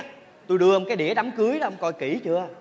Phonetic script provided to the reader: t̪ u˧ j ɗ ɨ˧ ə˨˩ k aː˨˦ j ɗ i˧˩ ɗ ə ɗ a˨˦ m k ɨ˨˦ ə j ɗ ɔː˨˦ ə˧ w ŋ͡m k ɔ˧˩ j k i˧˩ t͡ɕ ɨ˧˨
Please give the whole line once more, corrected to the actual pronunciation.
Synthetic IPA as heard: t̪ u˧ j ɗ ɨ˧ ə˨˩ k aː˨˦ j ɗ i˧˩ ə ɗ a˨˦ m k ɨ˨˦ ə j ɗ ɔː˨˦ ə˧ w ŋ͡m k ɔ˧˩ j k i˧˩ t͡ɕ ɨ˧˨

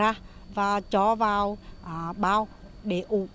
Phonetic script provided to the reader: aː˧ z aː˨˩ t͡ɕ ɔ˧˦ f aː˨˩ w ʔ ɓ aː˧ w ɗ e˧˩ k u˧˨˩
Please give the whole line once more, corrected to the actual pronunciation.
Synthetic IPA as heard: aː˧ v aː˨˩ t͡ɕ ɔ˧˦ v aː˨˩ w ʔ ɓ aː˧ w ɗ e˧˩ ʔ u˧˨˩

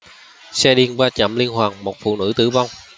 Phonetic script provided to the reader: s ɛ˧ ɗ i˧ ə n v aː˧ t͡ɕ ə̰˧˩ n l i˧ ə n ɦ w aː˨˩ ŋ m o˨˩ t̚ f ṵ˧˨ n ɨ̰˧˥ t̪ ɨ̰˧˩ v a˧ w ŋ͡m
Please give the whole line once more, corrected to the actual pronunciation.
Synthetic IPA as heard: s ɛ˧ ɗ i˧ ə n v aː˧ t͡ɕ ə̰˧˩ m l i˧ ə n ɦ w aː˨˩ ŋ m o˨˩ t̚ f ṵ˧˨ n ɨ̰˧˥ t̪ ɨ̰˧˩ v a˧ w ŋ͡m

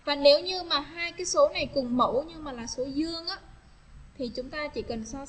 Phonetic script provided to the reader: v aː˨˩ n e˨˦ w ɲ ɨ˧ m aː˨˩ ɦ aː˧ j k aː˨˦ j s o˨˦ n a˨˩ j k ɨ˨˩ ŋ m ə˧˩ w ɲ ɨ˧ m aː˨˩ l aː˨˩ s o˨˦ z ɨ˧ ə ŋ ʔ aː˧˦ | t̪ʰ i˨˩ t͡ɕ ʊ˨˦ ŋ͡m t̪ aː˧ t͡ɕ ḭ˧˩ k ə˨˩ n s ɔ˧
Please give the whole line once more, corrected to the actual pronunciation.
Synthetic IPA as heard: v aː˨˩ n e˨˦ w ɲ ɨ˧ m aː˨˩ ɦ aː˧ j k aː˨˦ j s o˨˦ n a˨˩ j k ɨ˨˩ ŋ m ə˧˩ w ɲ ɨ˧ m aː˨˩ l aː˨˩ s o˨˦ z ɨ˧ ə ŋ ʔ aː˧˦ | t̪ʰ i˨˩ t͡ɕ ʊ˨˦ ŋ͡m t̪ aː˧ t͡ɕ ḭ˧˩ k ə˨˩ n s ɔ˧

